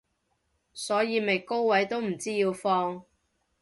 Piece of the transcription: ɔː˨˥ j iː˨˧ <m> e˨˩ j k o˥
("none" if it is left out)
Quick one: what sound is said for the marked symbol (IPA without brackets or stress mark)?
m